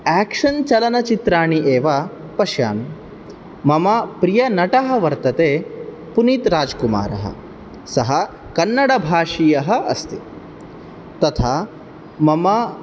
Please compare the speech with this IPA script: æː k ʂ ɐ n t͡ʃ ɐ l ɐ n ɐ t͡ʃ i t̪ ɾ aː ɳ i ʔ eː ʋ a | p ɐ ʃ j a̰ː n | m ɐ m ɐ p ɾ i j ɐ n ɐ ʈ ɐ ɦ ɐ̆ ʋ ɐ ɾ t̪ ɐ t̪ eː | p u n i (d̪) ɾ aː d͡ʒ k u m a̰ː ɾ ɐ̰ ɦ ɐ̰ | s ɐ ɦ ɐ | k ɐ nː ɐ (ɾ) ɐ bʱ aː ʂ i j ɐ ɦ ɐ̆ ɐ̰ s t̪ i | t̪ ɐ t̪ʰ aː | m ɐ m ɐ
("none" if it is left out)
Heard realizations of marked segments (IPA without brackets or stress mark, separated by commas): t̪, ɽ